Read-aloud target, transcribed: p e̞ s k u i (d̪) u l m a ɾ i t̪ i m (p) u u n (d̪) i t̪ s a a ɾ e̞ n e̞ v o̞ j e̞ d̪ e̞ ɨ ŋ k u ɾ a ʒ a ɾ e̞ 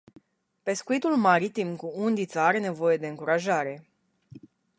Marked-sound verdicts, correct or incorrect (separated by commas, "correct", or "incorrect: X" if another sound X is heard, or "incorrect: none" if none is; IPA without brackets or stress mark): incorrect: t̪, incorrect: k, correct